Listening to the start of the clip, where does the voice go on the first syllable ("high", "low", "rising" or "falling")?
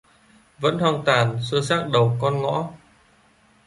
rising